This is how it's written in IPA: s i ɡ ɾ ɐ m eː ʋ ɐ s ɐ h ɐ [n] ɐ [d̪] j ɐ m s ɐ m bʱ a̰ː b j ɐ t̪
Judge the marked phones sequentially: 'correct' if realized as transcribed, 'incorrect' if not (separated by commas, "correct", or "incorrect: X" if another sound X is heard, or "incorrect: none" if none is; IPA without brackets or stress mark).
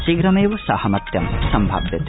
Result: incorrect: m, incorrect: t̪